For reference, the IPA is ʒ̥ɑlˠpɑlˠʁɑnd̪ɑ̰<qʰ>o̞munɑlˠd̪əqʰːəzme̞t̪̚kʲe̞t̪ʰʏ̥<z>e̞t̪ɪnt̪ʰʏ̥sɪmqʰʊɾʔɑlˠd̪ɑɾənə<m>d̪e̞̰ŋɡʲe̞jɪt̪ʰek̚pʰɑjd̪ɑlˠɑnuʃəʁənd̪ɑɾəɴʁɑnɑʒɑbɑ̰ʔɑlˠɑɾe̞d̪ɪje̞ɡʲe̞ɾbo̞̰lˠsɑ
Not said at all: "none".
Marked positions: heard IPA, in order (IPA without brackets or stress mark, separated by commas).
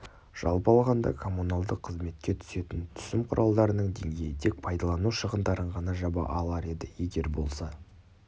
kʰ, s, ɴ